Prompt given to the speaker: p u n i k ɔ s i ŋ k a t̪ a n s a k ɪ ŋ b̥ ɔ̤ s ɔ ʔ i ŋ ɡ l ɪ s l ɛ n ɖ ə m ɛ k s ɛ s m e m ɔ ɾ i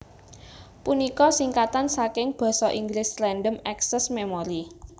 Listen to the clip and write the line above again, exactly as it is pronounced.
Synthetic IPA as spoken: p u n i k ɔ s i ŋ k a t̪ a n s a k ɪ ŋ b̥ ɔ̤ s ɔ ʔ i ŋ ɡ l ɪ s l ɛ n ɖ ə m ɛ k s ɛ s m e m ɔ ɾ i

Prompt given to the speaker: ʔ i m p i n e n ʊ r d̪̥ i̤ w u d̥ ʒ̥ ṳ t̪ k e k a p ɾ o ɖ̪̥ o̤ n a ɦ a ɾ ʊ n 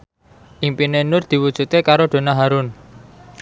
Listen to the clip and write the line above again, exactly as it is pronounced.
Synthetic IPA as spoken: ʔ i m p i n e n ʊ r d̪̥ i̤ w u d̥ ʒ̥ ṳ t̪ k e k a ɾ o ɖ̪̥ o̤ n a ɦ a ɾ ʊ n

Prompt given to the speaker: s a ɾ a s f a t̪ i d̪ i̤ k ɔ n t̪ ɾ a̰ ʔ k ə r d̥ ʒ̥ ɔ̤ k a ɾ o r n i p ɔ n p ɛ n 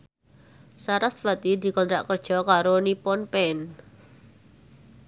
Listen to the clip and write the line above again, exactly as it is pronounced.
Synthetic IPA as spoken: s a ɾ a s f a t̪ i d̪ i̤ k ɔ n t̪ ɾ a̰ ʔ k ə r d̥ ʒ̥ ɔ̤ k a ɾ o n i p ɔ n p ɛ n

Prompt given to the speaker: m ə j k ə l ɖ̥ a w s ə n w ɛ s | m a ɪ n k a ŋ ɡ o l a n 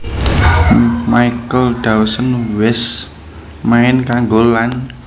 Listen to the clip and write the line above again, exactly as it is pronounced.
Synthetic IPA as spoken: m a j k ə l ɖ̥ a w s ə n w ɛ s | m a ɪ n k a ŋ ɡ o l a n

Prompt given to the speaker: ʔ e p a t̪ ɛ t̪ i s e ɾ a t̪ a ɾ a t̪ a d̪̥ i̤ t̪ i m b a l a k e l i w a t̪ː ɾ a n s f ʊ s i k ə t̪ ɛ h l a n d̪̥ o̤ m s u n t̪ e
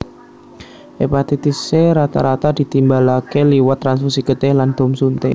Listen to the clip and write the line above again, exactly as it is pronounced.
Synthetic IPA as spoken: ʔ e p a t̪ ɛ t̪ i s e ɾ a t̪ a ɾ a t̪ a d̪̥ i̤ t̪ i m b a l a k e l i w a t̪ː ɾ a n s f u s i k ə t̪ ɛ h l a n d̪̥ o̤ m s u n t̪ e

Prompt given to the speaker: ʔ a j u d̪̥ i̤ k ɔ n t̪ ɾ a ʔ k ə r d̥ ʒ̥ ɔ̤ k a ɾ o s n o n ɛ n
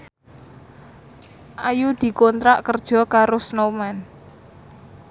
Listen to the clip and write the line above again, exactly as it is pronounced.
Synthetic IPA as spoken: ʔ a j u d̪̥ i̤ k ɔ n t̪ ɾ a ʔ k ə r d̥ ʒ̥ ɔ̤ k a ɾ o s n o m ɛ n

